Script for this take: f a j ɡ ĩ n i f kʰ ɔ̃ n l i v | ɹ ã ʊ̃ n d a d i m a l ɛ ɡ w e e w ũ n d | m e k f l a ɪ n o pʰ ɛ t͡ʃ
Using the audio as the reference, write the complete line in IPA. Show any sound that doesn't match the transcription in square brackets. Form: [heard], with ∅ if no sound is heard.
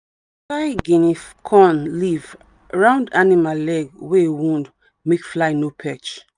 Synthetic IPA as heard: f a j ɡ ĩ n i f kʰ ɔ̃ n l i v | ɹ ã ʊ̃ n d a [n] i m a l ɛ ɡ w e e w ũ n d | m e k f l a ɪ n o pʰ ɛ t͡ʃ

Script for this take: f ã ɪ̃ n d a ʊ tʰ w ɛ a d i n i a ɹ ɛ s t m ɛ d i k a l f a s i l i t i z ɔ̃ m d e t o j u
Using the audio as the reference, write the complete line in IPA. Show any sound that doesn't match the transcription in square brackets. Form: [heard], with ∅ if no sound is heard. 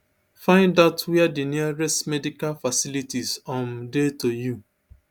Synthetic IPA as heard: f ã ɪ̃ n d a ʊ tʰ w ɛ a d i n i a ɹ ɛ s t m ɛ d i k a l f a s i l i t i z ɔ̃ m d e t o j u

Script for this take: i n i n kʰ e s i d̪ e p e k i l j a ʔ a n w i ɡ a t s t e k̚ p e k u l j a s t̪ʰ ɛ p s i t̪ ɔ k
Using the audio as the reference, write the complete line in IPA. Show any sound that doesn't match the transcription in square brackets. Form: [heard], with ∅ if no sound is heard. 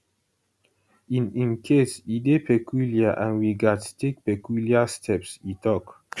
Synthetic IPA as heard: i n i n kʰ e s i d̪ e p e k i l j a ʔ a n w i ɡ a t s t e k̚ p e k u l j a s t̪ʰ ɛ p s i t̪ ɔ k

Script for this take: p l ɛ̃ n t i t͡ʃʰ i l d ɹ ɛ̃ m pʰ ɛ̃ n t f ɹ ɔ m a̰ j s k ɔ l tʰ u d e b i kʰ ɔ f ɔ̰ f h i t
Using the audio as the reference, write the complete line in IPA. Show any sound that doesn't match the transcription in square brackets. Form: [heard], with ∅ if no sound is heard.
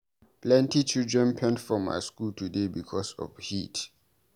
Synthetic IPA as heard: p l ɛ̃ n t i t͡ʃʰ i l d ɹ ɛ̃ [n] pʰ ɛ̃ n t f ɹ ɔ m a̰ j s k [u] l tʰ u d e b i kʰ ɔ [s] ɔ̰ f h i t

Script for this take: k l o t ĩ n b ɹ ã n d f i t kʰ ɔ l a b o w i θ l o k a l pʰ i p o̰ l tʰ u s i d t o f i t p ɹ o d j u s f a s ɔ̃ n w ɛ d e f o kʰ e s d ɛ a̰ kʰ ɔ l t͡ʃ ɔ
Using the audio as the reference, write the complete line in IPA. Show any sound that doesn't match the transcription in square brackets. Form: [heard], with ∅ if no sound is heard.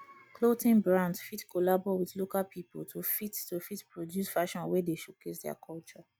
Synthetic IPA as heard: k l o t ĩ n b ɹ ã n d f i t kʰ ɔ l a b [ɔ] w i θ l o k a l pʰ i p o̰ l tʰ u [f] i [t] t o f i t p ɹ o d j u s f a [ʃ] ɔ̃ n w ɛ d e [ʃ] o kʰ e s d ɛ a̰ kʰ ɔ l t͡ʃ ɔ

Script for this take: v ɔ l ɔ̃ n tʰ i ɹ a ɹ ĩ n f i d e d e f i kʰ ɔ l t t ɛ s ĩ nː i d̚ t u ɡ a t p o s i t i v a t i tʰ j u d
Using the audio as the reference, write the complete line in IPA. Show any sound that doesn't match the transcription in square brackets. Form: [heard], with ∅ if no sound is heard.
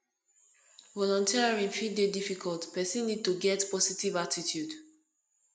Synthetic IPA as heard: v ɔ l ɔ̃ n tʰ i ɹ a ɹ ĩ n f i d e d [i] f i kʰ ɔ l t [p] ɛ s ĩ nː i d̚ t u ɡ [ɛ] t p [ɔ] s i t i v a t i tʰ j u d

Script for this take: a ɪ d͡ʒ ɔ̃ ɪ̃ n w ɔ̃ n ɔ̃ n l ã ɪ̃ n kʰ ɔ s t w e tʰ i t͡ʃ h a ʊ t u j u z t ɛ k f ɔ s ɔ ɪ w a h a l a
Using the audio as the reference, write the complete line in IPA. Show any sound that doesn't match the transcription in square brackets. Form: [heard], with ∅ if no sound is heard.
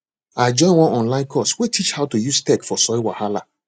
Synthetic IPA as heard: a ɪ d͡ʒ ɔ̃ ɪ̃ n w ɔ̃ n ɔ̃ n l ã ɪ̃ n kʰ ɔ s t w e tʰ i t͡ʃ h a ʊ t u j u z t ɛ k f ɔ s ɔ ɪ w a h a l a

